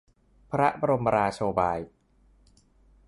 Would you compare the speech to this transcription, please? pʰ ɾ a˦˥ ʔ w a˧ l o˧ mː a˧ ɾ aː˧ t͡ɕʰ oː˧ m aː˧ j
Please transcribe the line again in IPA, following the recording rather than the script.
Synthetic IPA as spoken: pʰ ɾ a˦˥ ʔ b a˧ ɾ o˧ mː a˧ ɾ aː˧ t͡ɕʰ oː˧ b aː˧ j